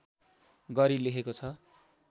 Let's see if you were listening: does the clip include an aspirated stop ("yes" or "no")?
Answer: yes